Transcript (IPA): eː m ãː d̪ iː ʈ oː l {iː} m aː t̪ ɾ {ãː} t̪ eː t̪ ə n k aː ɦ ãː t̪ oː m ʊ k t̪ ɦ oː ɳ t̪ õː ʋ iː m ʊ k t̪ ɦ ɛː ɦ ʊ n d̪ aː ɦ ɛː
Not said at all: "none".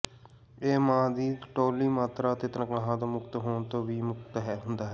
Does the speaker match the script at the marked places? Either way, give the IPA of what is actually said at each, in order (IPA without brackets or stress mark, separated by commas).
iː, aː